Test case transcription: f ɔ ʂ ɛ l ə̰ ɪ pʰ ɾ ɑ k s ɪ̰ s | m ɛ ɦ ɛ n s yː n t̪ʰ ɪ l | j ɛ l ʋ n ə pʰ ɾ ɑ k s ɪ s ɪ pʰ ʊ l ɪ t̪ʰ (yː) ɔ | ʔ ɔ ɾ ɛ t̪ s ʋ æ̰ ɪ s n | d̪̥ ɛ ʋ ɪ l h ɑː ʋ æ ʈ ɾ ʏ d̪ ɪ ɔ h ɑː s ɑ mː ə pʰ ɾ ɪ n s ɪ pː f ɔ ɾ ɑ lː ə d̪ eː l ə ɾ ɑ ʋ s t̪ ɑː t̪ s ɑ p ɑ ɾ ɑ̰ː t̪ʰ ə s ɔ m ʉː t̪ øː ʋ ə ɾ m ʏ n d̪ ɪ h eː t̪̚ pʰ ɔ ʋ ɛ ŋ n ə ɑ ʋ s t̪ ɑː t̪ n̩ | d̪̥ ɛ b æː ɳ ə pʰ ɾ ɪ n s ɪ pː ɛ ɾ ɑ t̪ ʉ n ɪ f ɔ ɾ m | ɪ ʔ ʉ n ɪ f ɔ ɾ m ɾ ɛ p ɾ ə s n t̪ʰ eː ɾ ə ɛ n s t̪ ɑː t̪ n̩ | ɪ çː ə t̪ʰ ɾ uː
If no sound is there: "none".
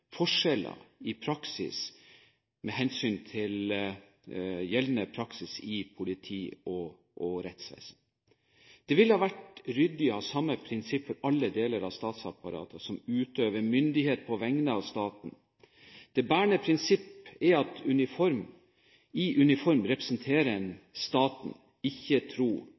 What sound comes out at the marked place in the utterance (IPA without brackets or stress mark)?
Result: iː